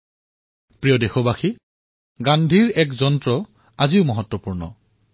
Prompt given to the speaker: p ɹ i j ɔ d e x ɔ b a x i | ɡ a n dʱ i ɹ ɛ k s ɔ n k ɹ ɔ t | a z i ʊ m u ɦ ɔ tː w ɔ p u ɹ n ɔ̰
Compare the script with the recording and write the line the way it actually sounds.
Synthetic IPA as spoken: p ɹ i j ɔ d e x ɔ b a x i | ɡ a n dʱ i ɹ ɛ k z ɔ n t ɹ ɔ | a z i ʊ m ɔ ɦ ɔ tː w ɔ p u ɹ n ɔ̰